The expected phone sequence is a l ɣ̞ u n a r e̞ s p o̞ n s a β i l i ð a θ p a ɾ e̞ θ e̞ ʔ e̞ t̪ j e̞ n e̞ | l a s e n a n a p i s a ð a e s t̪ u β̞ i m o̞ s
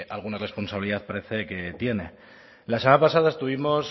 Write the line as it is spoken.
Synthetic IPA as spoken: a l ɣ̞ u n a r e̞ s p o̞ n s a β i l i ð a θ p a ɾ e̞ θ e̞ k e̞ t̪ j e̞ n e̞ | l a s e m a n a p a s a ð a e s t̪ u β̞ i m o̞ s